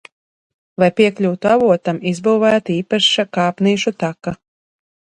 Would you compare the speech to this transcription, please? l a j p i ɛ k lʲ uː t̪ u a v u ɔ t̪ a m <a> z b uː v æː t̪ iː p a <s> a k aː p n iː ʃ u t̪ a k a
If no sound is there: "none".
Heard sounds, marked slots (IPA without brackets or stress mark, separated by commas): i, ʃ